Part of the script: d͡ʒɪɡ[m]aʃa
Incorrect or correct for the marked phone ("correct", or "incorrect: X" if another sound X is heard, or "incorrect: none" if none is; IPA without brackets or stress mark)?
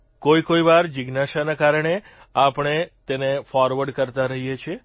incorrect: n